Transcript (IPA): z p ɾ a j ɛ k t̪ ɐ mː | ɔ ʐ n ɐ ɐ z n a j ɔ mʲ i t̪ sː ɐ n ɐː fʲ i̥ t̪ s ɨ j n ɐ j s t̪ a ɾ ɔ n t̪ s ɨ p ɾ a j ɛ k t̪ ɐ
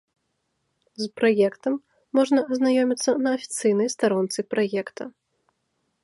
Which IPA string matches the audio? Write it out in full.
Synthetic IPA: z p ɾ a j ɛ k t̪ ɐ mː | ɔ ʐ n ɐ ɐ z n a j ɔ mʲ i t̪ sː ɐ n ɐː fʲ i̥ t̪ s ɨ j n ɐ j s t̪ a ɾ ɔ n t̪ s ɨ p ɾ a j ɛ k t̪ ɐ